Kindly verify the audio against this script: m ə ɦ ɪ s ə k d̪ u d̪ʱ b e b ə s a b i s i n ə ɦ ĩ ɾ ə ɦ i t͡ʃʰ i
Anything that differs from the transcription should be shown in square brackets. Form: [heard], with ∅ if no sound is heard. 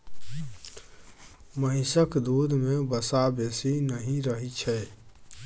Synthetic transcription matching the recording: m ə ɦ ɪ s ə k d̪ u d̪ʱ [m] e b ə s a b [e] s i n ə ɦ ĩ ɾ ə ɦ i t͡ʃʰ [ɛ]